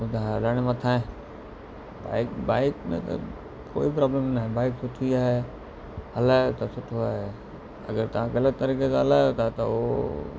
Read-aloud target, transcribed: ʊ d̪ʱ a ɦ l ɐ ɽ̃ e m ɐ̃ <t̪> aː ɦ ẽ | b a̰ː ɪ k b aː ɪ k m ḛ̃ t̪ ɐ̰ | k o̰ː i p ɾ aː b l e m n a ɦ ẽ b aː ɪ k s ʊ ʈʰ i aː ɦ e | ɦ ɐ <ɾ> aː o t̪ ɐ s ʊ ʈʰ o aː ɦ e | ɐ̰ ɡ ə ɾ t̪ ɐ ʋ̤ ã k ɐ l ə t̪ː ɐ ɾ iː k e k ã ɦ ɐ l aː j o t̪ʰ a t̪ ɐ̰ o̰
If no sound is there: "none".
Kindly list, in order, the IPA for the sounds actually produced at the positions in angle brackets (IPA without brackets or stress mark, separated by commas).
t̪ʰ, l